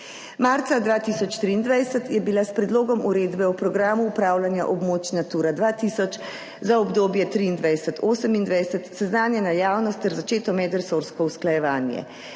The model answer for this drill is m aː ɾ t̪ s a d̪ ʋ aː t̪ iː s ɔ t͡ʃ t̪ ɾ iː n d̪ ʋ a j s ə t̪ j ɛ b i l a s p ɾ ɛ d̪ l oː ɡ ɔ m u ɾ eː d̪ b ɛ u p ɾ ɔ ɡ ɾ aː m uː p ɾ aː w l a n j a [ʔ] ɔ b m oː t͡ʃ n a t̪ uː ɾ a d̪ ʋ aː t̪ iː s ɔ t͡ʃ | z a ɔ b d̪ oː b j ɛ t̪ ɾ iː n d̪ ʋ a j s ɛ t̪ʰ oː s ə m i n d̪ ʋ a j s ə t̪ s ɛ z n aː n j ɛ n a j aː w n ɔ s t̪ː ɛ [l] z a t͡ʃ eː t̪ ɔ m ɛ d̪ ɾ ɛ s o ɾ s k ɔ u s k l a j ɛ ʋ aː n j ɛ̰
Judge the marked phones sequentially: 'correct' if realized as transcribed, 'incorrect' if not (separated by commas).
correct, incorrect